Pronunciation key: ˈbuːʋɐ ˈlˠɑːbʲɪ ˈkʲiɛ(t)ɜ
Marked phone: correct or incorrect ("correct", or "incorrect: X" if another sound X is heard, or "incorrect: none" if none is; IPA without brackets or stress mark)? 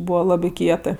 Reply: correct